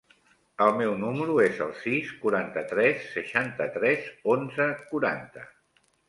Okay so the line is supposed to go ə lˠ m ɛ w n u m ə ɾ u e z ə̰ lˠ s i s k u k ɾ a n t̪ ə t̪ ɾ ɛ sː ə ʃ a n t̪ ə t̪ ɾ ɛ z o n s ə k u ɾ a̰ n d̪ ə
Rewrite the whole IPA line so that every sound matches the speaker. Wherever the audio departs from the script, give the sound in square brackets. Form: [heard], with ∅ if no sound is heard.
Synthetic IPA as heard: ə lˠ m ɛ w n u m ə ɾ u e z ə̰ lˠ s i s k u [∅] ɾ a n t̪ ə t̪ ɾ ɛ sː ə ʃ a n t̪ ə t̪ ɾ ɛ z o n [z] ə k u ɾ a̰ n [t̪] ə